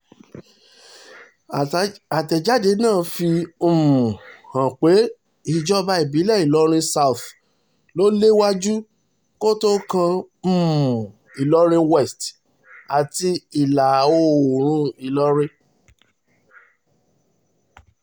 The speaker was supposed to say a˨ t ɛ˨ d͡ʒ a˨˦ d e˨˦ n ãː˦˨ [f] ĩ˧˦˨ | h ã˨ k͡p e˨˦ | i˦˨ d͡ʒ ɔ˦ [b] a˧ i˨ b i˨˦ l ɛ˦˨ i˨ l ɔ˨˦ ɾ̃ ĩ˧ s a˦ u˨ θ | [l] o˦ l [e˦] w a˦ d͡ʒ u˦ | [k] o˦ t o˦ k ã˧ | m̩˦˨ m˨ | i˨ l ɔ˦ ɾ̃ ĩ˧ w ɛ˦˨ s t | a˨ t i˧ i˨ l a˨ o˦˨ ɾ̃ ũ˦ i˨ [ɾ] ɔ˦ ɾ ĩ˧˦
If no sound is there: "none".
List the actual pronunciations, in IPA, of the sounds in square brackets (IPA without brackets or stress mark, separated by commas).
f, b, l, e˦, k, l